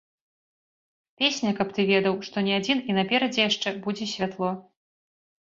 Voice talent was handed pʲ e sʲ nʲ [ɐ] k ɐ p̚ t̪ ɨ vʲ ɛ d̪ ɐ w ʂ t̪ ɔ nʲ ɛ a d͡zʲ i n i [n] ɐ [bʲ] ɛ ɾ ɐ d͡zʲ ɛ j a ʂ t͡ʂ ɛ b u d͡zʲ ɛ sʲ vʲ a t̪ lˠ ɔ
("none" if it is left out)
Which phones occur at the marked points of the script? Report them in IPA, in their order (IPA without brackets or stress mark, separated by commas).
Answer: ɐ, n, pʲ